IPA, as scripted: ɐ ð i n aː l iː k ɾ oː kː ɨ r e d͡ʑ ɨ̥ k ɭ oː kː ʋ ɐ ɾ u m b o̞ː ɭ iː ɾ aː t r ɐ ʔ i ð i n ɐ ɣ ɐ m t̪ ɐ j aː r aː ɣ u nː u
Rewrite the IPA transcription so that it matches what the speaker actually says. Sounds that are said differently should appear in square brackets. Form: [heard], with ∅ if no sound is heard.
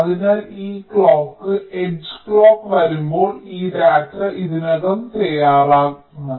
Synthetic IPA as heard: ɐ ð i n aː l iː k [ɭ] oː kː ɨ [∅] e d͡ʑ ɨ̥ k ɭ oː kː ʋ ɐ ɾ u m b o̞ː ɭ iː ɾ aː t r ɐ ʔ i ð i n ɐ ɣ ɐ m t̪ ɐ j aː r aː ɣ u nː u